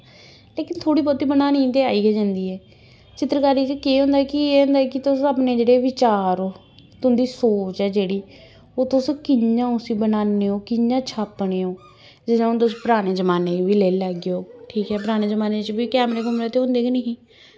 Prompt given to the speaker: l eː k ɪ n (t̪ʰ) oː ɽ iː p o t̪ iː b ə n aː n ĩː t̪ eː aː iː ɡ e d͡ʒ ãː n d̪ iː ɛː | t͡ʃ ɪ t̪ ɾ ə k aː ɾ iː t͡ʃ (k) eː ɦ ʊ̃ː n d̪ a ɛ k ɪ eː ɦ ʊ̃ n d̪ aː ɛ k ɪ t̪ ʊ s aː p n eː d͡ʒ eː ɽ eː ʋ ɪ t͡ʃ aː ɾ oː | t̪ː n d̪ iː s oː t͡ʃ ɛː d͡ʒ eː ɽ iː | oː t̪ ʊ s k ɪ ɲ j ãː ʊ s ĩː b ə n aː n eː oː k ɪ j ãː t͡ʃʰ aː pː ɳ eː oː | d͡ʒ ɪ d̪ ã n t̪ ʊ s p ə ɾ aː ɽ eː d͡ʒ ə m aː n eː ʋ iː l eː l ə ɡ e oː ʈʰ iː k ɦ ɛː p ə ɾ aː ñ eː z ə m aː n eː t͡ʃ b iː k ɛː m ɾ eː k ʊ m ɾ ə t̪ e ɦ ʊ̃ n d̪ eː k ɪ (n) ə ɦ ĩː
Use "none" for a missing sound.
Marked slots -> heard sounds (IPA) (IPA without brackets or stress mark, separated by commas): t̪ʰ, k, n